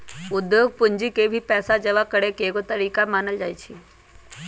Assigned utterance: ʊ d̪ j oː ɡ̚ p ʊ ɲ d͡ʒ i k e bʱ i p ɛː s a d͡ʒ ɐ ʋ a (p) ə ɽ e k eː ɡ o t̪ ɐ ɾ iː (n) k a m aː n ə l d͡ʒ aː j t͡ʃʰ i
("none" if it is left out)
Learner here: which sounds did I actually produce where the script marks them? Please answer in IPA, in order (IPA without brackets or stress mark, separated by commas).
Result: k, none